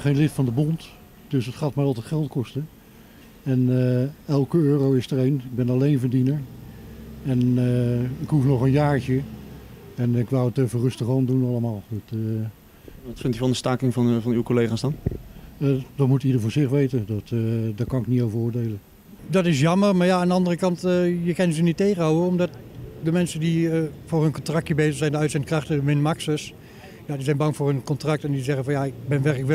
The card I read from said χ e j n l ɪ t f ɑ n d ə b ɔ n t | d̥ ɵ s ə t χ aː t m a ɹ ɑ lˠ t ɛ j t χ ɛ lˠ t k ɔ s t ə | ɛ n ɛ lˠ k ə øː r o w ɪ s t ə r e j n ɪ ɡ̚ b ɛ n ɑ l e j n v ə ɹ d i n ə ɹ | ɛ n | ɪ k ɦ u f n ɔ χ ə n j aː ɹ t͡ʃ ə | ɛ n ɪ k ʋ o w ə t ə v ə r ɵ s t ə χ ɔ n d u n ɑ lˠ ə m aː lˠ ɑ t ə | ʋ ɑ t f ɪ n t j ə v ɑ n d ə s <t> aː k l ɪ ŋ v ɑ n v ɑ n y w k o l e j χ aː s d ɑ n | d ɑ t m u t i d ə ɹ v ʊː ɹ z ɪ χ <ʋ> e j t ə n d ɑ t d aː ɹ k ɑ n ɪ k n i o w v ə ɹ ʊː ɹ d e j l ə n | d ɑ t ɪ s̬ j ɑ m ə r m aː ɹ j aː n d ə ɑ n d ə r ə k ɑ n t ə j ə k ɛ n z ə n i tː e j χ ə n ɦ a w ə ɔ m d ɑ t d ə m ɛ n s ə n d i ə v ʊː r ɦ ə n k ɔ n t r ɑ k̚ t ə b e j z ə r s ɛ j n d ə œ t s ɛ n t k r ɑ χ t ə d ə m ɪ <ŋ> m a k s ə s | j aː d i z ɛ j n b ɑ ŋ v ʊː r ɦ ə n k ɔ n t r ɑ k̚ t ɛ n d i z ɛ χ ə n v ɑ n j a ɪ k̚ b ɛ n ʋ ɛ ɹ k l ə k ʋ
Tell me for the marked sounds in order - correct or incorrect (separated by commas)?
correct, correct, incorrect